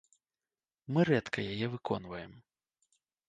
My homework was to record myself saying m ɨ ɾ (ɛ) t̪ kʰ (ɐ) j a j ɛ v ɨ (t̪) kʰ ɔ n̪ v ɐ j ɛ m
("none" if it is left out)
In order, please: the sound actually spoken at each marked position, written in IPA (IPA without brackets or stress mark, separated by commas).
ɛ, ɐ, none